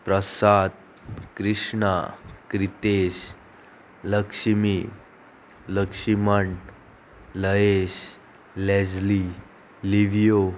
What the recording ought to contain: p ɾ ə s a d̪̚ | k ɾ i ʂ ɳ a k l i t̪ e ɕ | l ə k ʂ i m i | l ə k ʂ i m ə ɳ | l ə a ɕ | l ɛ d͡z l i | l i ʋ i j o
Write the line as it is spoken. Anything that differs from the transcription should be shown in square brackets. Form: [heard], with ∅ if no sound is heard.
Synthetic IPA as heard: p ɾ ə s a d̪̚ | k ɾ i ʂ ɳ a k [ɾ] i t̪ e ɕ | l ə k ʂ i m i | l ə k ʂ i m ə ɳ | l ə [e] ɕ | l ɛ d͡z l i | l i ʋ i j o